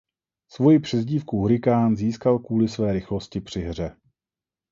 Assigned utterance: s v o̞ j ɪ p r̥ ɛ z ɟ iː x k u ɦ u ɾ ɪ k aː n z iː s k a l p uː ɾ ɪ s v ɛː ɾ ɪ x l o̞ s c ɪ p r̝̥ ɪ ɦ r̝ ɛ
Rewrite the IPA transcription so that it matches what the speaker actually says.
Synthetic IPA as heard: s v o̞ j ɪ p r̥ ɛ z ɟ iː f k u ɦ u ɾ ɪ k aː n z iː s k a l k uː l ɪ s v ɛː ɾ ɪ x l o̞ s c ɪ p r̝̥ ɪ ɦ r̝ ɛ